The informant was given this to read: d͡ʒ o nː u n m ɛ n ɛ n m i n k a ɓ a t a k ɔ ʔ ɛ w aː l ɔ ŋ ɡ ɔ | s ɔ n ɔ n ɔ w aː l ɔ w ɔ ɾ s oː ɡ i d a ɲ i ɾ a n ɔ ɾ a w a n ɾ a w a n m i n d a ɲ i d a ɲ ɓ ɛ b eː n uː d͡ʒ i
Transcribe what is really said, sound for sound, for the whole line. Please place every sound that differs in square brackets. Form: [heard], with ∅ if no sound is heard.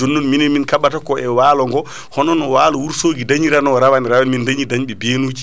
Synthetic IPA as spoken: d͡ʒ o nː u n m [i] n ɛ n m i n k a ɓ a t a k ɔ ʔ ɛ w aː l ɔ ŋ ɡ ɔ | [h] ɔ n ɔ n ɔ w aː l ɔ w [u] ɾ s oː ɡ i d a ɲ i ɾ a n ɔ ɾ a w a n ɾ a w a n m i n d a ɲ i d a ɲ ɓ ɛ b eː n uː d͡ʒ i